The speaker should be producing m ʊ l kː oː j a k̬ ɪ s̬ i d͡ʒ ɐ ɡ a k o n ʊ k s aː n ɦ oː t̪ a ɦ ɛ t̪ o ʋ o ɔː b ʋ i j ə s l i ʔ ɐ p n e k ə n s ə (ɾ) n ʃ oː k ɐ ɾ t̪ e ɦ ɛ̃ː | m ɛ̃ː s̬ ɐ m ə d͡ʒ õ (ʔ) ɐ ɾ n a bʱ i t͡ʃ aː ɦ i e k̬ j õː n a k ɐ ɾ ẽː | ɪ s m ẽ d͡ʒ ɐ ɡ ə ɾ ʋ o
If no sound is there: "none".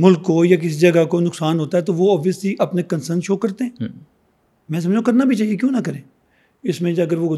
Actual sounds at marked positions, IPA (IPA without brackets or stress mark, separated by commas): ɾ, k